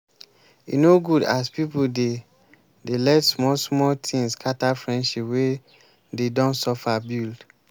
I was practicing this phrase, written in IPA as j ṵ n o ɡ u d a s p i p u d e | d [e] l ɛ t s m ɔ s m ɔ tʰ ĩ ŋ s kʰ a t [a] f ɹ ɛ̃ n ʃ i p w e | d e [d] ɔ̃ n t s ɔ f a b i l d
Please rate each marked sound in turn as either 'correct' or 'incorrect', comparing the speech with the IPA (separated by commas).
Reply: correct, correct, correct